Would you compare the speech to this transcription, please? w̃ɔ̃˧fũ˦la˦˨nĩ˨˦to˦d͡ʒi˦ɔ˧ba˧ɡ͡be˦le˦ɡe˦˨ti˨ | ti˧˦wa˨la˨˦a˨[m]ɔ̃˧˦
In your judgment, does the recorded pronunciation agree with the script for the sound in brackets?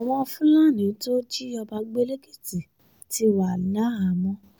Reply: yes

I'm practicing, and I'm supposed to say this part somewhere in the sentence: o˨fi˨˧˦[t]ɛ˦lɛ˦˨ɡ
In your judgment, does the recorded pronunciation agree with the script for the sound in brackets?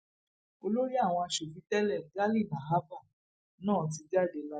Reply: yes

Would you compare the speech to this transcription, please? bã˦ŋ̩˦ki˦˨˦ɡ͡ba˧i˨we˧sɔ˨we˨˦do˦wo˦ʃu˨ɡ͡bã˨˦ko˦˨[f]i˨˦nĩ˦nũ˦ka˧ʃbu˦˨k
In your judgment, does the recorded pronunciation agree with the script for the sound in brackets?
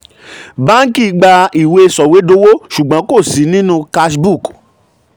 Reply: no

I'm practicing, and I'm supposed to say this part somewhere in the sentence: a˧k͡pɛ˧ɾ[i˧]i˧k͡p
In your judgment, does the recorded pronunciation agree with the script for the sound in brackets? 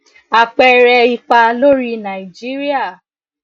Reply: no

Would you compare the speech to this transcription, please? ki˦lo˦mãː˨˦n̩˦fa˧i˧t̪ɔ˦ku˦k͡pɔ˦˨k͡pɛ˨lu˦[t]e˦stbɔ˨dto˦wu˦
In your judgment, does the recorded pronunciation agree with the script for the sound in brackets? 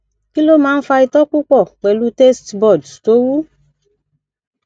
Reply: yes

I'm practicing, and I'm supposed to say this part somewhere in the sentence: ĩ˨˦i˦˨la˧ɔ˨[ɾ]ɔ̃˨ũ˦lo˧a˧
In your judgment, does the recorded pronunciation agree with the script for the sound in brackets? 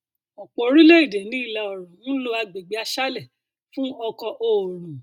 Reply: yes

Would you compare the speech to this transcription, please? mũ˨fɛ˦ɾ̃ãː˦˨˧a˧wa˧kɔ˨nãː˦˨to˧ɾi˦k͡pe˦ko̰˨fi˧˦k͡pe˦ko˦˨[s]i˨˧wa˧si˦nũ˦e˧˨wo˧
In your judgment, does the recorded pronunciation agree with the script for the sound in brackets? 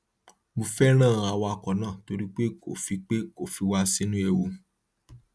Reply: no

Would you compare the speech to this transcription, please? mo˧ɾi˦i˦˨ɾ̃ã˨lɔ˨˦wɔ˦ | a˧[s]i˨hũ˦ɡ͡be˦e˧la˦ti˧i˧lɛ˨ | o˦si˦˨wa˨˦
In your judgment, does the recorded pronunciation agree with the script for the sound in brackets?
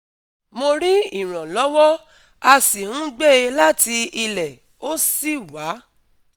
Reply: yes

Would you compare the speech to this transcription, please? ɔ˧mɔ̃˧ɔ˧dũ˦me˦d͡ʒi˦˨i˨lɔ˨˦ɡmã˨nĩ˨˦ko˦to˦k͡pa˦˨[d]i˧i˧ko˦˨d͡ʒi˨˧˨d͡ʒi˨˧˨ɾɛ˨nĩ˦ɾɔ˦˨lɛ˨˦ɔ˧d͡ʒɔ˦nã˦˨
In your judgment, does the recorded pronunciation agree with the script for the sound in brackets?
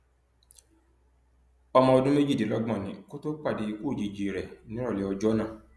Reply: yes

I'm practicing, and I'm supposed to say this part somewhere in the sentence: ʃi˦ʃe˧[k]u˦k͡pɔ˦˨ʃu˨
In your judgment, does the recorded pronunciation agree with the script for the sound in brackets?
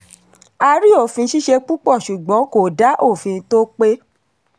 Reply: no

